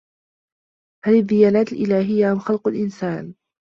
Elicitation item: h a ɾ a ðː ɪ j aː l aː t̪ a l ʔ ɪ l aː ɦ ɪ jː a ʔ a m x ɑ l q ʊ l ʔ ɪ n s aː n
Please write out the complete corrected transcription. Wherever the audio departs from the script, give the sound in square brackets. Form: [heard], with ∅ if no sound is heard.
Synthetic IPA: h a [l] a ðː ɪ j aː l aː t̪ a l ʔ ɪ l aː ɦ ɪ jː a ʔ a m x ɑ l q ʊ l ʔ ɪ n s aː n